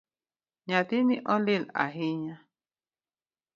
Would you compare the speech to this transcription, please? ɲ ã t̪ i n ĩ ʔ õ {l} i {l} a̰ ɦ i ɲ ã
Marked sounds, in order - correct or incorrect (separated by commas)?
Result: correct, correct